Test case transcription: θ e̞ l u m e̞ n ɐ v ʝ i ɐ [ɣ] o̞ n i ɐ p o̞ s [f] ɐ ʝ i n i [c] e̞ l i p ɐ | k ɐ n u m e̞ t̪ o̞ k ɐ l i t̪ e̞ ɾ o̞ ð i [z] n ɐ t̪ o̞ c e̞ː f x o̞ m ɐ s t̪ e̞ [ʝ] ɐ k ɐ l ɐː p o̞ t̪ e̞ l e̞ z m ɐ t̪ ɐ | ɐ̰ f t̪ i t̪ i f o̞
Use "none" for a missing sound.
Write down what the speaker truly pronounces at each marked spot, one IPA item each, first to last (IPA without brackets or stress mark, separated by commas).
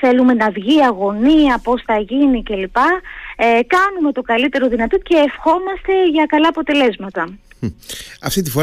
ɣ, θ, c, none, ʝ